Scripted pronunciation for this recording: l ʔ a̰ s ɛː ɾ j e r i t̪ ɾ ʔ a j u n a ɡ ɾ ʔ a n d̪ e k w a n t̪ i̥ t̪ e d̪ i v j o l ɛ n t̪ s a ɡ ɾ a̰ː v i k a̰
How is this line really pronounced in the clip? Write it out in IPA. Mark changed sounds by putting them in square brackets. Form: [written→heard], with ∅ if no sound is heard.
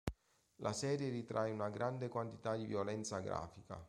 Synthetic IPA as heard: l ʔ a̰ s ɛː ɾ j e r i t̪ ɾ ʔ a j u n a ɡ ɾ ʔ a n d̪ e k w a n t̪ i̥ t̪ [e→a] d̪ i v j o l ɛ n t̪ s a ɡ ɾ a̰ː [v→f] i k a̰